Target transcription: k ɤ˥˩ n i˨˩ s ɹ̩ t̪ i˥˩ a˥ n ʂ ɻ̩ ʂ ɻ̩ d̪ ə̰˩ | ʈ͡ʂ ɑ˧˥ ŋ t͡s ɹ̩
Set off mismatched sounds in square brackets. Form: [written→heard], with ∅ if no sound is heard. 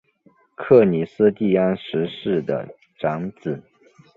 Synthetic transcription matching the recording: [k→kʰ] ɤ˥˩ n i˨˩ s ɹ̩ t̪ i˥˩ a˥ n ʂ ɻ̩ ʂ ɻ̩ d̪ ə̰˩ | ʈ͡ʂ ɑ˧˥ ŋ t͡s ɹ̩